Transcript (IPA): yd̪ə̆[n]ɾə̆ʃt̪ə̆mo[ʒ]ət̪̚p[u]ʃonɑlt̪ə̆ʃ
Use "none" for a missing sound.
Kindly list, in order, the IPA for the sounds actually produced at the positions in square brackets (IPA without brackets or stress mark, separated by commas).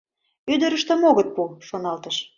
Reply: none, ɣ, u